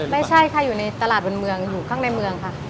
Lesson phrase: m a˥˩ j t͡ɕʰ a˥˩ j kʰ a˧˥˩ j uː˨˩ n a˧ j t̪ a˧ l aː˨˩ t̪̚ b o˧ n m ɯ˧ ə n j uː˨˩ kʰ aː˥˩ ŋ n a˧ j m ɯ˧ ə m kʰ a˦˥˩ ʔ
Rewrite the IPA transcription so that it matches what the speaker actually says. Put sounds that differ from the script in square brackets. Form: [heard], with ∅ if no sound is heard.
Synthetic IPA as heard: m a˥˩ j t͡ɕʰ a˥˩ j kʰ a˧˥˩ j uː˨˩ n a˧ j t̪ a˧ l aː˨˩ t̪̚ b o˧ n m ɯ˧ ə [ŋ] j uː˨˩ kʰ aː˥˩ ŋ n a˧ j m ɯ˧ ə [ŋ] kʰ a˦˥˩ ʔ